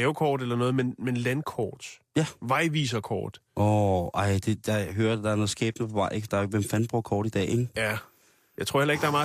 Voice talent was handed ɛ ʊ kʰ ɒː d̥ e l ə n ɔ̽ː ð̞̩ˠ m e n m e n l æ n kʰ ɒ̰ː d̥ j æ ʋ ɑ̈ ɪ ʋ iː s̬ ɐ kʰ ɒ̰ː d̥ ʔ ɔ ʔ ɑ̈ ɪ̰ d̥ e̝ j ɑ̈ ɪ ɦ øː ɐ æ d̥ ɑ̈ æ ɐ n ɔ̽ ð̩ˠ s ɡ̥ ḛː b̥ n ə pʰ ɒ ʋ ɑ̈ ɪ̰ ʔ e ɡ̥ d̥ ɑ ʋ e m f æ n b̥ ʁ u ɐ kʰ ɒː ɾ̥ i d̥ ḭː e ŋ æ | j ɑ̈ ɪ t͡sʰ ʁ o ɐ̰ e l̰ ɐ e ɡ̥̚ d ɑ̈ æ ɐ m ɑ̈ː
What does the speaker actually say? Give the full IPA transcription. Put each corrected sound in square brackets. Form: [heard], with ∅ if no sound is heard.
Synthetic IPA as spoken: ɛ ʊ kʰ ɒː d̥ e l [ɐ] n ɔ̽ː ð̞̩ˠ m e n m e n l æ n kʰ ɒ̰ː d̥ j æ ʋ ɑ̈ ɪ ʋ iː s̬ ɐ kʰ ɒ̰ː d̥ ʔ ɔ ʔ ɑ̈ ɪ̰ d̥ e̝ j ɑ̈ ɪ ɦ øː ɐ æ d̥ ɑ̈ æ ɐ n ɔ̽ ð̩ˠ s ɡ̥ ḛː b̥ n ə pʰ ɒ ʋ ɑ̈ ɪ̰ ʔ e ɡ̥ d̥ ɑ ʋ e m f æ n b̥ ʁ u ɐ kʰ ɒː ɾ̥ i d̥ [ɛ̰ː] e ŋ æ | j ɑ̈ ɪ t͡sʰ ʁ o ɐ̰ e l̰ ɐ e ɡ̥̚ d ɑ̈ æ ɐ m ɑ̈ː